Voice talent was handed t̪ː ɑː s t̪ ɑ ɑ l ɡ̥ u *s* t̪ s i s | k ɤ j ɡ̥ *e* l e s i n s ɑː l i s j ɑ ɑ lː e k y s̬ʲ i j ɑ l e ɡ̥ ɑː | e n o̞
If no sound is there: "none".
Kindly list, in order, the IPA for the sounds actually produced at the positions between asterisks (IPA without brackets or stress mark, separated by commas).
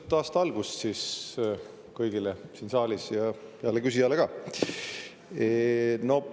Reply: s, i